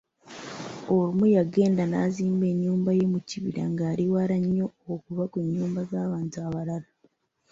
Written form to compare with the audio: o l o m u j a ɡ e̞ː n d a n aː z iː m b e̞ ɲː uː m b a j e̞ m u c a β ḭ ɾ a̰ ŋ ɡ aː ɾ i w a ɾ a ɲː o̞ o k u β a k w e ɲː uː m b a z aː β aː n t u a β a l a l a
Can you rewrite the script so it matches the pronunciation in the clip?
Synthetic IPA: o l u m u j a ɡ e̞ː n d a n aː z iː m b e̞ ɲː uː m b a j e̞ m u c i β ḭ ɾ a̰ ŋ ɡ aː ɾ i w a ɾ a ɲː o̞ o k u β a k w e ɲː uː m b a z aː β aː n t u a β a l a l a

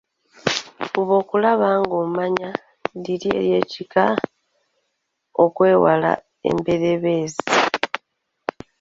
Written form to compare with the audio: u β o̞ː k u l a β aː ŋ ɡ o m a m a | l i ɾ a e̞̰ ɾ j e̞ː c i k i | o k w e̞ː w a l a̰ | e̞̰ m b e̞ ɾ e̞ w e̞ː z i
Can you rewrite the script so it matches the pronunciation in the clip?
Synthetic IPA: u β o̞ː k u l a β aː ŋ ɡ o m a ɲ a | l i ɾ i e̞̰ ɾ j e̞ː c i k a | o k w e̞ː w a l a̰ | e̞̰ m b e̞ ɾ e̞ β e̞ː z i

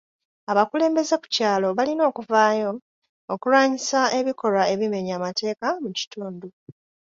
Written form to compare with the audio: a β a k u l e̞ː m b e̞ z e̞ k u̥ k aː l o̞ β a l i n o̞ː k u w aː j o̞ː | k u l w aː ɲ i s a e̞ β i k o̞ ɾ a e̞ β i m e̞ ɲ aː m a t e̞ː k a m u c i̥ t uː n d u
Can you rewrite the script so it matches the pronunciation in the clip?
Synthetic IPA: a β a k u l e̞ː m b e̞ z e̞ k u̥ c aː l o̞ β a l i n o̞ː k u v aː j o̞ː | k u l w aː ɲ i s a e̞ β i k o̞ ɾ a e̞ β i m e̞ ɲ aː m a t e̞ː k a m u c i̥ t uː n d u

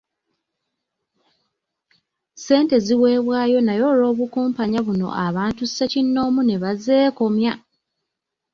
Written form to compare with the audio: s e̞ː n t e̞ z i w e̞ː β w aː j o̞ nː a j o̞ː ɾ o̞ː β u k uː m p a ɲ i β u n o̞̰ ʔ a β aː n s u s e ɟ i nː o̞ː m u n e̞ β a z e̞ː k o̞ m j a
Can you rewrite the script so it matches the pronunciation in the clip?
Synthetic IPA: s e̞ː n t e̞ z i w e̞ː β w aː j o̞ n a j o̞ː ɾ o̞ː β u k uː m p a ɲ a β u n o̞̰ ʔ a β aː n t u s e c i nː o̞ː m u n e̞ β a z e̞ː k o̞ m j a

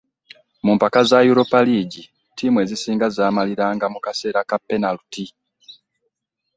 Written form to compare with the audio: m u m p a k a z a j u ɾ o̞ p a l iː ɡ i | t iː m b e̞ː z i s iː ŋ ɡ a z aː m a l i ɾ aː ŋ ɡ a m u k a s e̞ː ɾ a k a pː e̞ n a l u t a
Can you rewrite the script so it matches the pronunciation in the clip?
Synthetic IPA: m u m p a k a z a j u ɾ o̞ p a l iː ɟ i | t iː m w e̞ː z i s iː ŋ ɡ a z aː m a l i ɾ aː ŋ ɡ a m u k a s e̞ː ɾ a k a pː e̞ n a l u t i

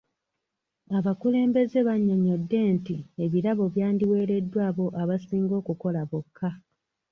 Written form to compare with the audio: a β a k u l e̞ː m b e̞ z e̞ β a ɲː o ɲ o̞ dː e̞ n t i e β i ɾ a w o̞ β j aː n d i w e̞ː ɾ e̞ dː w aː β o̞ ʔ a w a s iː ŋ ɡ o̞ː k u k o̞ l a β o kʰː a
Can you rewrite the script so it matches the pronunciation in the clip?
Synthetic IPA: a β a k u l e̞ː m b e̞ z e̞ β a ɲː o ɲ o̞ dː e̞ n t i e β i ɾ a β o̞ β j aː n d i w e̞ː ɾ e̞ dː w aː β o̞ ʔ a β a s iː ŋ ɡ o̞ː k u k o̞ l a β o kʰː a

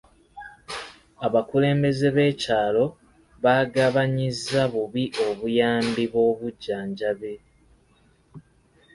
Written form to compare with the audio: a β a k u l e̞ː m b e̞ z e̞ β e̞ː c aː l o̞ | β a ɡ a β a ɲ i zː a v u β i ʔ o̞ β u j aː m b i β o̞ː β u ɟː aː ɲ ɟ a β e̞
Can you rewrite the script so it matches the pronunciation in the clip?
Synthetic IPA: a β a k u l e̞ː m b e̞ z e̞ β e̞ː c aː l o̞ | β a ɡ a β a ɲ i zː a β u β i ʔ o̞ β u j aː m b i β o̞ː β u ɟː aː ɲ ɟ a β e̞

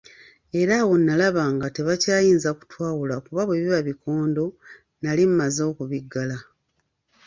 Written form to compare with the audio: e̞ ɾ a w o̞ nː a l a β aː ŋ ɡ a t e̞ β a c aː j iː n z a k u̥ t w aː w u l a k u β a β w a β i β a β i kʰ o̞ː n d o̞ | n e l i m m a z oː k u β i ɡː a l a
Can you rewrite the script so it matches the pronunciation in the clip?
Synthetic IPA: e̞ ɾ a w o̞ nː a l a β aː ŋ ɡ a t e̞ β a c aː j iː n z a k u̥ t w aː w u l a k u β a β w e β i β a β i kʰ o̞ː n d o̞ | n a l i m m a z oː k u β i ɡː a l a

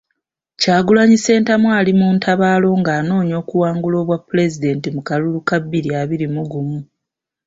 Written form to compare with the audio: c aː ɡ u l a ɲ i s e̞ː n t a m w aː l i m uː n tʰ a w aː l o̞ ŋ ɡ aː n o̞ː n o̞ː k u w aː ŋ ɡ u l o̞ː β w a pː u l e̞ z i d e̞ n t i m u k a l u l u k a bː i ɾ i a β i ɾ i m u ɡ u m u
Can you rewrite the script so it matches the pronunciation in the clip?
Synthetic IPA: c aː ɡ u l a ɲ i s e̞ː n t a m w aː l i m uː n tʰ a β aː l o̞ ŋ ɡ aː n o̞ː ɲ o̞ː k u w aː ŋ ɡ u l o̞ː β w a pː u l e̞ z i d e̞ n t i m u k a l u l u k a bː i ɾ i a β i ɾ i m u ɡ u m u

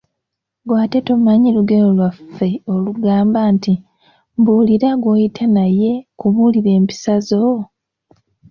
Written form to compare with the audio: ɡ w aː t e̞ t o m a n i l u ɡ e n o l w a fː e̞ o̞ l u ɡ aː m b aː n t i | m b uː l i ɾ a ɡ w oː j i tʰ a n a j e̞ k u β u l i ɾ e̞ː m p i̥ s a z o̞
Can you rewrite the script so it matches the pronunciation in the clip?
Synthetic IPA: ɡ w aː t e̞ t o m a ɲ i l u ɡ e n o l w a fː e̞ o̞ l u ɡ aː m b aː n t i | m b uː l i ɾ a ɡ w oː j i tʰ a n a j e̞ k u β u l i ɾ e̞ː m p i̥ s a z o̞

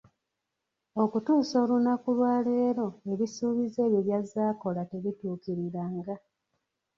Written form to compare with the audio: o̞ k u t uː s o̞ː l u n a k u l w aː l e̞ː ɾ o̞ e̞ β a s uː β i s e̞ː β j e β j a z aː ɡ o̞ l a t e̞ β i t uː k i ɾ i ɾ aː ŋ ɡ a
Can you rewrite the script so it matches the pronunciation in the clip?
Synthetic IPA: o̞ k u t uː s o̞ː l u n a k u l w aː l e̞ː ɾ o̞ e̞ β i s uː β i z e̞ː β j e β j a z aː k o̞ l a t e̞ β i t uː k i ɾ i ɾ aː ŋ ɡ a

